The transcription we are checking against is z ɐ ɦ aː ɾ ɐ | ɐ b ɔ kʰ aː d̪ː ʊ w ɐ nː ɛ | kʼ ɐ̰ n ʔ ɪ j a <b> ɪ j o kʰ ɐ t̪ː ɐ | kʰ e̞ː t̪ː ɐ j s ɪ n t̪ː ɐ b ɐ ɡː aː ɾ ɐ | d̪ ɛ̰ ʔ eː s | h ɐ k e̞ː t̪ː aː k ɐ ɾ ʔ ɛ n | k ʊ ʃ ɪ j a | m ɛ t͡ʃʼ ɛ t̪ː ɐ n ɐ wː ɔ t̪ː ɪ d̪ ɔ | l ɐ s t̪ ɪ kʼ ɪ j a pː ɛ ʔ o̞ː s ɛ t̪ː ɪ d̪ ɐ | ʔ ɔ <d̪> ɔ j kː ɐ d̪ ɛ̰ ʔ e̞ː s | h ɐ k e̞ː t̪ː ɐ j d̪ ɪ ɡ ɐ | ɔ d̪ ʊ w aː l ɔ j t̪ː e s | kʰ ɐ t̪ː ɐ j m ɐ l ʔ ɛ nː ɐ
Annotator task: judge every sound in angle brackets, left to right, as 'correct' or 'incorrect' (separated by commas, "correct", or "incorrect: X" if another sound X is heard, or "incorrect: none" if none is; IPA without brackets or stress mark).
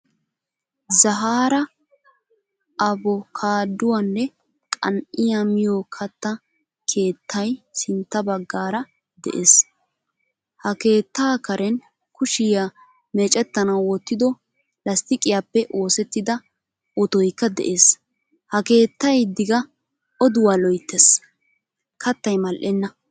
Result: incorrect: m, incorrect: t̪